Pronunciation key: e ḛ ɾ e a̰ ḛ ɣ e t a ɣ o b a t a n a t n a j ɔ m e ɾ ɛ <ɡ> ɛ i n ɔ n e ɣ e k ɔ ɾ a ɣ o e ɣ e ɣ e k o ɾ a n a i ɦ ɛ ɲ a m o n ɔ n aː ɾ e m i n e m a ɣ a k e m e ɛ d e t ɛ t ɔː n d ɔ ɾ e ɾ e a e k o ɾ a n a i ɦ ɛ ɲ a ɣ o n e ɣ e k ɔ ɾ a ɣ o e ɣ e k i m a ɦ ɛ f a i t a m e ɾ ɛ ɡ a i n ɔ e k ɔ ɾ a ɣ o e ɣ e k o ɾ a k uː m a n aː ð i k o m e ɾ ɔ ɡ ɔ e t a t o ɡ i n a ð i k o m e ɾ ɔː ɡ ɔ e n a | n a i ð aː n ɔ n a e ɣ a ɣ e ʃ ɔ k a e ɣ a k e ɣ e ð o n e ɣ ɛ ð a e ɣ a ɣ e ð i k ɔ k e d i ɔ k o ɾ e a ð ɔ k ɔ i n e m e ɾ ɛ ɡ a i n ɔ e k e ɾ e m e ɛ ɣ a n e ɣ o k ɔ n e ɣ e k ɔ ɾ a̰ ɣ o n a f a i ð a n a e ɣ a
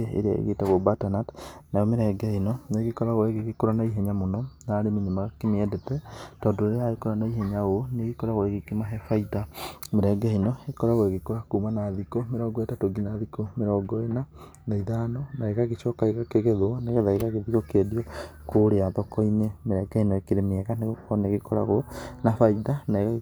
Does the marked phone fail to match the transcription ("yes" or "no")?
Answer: no